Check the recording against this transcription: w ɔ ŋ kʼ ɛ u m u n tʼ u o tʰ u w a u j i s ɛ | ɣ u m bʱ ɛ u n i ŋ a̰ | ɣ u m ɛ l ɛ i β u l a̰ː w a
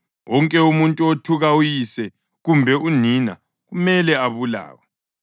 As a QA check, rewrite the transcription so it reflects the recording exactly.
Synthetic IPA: w ɔ ŋ kʼ ɛ u m u n tʼ u o tʰ u ɣ a u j i s ɛ | ɣ u m bʱ ɛ u n i n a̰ | ɣ u m ɛ l ɛ a β u l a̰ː w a